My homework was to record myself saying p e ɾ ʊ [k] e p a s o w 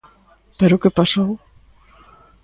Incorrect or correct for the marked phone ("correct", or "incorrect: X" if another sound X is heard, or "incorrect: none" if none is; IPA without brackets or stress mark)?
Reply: correct